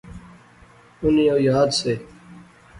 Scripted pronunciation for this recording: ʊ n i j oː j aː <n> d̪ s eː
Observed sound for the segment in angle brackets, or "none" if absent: none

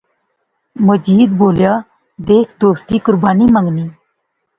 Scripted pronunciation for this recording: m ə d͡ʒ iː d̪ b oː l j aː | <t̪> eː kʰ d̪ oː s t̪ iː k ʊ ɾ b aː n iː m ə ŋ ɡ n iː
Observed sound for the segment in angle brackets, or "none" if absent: d̪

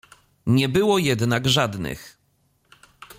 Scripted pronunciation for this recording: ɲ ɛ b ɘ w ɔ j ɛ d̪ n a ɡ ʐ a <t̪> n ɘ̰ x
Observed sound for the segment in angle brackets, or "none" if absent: d̪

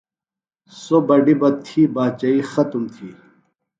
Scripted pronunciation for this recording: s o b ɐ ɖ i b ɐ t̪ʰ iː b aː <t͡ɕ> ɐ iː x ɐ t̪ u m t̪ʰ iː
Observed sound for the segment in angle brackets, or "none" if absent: t͡ɕ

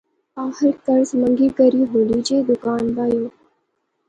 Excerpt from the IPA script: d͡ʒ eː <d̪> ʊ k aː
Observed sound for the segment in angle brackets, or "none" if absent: d̪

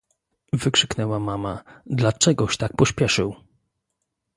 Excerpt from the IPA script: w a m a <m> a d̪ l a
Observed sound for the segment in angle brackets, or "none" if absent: m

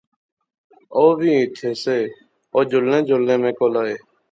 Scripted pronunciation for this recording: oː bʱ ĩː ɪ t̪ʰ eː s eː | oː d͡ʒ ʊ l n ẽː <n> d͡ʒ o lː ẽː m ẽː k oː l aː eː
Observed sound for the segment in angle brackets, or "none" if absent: none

